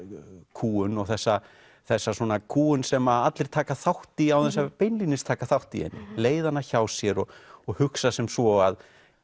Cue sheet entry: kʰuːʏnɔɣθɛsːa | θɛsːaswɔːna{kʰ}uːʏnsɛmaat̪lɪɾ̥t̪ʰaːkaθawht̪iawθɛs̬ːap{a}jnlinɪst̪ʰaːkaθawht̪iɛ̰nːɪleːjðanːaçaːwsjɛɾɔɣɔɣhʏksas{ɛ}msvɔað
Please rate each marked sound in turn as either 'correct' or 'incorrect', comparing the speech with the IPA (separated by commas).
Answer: correct, incorrect, correct